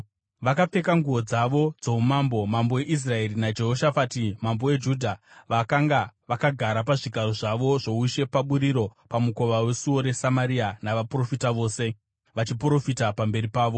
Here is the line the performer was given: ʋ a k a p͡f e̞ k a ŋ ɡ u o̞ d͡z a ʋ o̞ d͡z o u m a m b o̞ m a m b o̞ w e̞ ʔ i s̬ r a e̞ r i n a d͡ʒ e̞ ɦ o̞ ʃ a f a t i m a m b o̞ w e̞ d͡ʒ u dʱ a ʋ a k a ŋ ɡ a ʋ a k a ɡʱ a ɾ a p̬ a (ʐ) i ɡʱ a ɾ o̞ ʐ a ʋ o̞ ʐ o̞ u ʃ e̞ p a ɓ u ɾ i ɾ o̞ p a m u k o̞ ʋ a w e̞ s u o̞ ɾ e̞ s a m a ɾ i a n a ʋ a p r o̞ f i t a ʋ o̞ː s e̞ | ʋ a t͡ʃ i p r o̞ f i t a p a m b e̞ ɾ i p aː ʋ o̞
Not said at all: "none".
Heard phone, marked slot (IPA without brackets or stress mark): ʐ